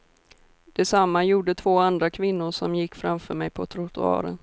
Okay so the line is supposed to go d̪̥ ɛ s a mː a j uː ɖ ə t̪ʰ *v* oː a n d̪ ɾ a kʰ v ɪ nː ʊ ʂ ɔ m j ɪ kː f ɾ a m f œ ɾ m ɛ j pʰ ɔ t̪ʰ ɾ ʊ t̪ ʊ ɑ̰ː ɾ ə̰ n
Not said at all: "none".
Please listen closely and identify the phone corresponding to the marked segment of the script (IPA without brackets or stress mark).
v